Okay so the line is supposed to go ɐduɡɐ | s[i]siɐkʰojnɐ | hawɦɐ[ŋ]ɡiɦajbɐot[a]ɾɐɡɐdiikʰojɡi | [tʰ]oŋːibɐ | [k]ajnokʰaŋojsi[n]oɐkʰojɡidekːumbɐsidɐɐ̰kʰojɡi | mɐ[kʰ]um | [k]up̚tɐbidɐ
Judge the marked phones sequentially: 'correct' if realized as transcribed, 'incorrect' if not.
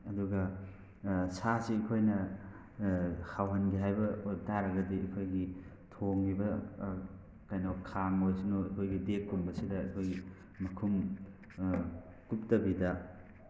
incorrect: a, incorrect: n, correct, correct, correct, correct, correct, correct

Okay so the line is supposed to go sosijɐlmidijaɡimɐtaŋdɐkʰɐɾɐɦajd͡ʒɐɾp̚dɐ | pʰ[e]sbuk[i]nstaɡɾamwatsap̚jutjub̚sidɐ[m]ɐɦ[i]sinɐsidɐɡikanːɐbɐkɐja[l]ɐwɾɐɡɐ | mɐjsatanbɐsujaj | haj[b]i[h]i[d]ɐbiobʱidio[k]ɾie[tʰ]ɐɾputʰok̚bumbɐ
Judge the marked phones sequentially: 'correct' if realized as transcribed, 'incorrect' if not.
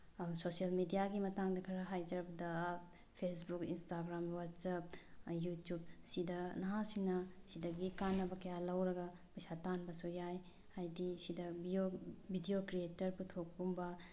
correct, correct, incorrect: n, incorrect: a, correct, incorrect: d, incorrect: s, correct, correct, incorrect: t

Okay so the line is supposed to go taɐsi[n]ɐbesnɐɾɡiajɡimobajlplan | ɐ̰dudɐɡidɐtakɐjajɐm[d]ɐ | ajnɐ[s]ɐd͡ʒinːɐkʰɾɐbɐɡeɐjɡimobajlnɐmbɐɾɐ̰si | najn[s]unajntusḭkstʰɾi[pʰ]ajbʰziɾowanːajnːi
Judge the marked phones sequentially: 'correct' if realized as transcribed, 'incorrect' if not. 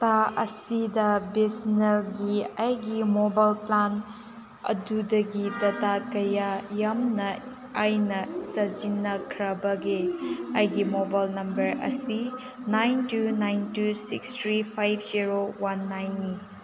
incorrect: d, incorrect: n, correct, incorrect: t, correct

